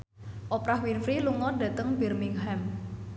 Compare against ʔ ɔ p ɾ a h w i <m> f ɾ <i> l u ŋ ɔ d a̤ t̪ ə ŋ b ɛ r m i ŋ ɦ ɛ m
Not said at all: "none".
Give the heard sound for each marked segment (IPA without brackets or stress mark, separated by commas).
n, i